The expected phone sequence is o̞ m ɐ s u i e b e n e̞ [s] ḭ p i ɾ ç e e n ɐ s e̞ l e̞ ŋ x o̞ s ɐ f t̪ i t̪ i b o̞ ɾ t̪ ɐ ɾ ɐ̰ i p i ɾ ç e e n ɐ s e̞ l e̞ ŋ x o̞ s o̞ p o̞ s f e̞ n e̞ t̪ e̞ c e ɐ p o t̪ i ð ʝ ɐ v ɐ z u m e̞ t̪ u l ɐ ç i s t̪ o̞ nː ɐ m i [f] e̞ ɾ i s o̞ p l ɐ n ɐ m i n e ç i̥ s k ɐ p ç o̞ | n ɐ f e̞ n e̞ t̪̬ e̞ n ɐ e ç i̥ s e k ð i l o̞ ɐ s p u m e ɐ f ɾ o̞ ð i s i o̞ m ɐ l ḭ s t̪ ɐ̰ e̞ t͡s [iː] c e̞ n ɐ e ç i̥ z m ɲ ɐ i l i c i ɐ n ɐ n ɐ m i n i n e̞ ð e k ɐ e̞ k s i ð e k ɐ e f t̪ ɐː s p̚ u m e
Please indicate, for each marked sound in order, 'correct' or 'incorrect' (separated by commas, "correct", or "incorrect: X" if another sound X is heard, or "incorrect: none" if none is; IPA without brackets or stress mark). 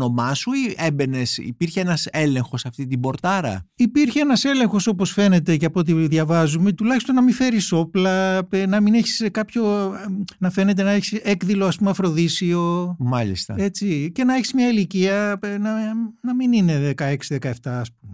correct, correct, incorrect: i